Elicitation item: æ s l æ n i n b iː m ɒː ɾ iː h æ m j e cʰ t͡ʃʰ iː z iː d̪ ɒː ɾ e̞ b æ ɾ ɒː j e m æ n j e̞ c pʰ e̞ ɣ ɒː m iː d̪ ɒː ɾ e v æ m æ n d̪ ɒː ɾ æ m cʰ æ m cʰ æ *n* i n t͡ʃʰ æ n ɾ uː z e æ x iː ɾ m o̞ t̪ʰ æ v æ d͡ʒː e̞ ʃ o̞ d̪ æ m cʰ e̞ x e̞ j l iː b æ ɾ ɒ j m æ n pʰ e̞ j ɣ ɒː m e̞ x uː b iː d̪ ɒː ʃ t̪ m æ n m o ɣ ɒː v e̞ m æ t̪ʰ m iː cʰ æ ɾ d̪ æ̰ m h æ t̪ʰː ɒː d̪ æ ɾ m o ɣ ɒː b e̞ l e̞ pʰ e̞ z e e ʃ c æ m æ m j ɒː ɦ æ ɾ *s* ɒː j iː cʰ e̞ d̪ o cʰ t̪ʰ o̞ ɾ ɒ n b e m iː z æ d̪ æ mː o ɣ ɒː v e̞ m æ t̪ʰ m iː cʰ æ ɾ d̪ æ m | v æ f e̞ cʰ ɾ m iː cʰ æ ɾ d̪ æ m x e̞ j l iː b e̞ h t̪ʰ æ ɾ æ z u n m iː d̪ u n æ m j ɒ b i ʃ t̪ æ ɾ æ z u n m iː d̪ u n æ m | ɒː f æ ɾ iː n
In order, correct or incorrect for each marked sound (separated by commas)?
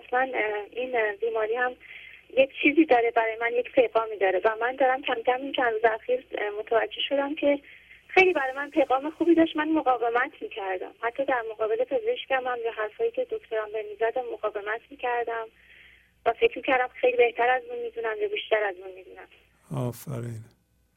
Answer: incorrect, incorrect